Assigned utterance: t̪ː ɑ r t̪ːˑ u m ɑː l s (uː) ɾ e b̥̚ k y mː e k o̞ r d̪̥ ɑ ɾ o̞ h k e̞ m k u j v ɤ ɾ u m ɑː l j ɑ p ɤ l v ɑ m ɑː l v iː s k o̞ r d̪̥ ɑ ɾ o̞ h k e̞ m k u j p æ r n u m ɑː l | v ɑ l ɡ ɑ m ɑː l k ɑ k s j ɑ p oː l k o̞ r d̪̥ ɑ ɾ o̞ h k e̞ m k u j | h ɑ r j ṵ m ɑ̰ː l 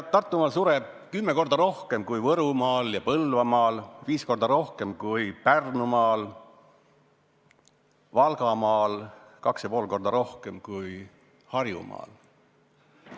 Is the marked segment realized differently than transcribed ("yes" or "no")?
yes